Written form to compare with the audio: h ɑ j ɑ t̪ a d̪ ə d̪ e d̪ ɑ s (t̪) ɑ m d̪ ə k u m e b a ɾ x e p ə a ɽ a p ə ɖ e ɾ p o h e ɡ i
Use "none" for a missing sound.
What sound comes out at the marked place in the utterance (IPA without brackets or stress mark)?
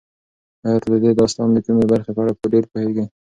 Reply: t̪